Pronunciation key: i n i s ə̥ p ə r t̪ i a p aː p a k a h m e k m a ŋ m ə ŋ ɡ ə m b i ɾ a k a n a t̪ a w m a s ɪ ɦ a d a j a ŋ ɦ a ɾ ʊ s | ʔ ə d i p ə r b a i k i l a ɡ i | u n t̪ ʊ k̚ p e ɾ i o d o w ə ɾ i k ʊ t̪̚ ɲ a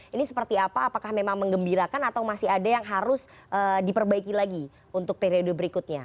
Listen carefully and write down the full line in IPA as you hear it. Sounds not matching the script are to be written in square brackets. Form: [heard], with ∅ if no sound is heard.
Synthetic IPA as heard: i n i s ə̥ p ə r t̪ i a p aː p a k a h m e [∅] m a ŋ m ə ŋ ɡ ə m b i ɾ a k a n a t̪ a w m a s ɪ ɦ a d a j a ŋ ɦ a ɾ ʊ s | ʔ ə d i p ə r b a i k i l a ɡ i | u n t̪ ʊ k̚ p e ɾ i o d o [b] ə ɾ i k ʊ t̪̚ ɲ a